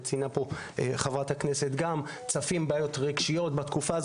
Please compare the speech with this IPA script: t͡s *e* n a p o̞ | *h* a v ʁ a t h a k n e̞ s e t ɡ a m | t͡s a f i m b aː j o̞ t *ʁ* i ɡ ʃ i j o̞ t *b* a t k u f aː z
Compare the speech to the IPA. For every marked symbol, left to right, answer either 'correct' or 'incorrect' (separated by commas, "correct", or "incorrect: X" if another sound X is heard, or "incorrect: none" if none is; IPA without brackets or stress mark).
incorrect: i, incorrect: χ, correct, correct